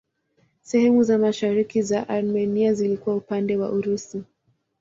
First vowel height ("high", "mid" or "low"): mid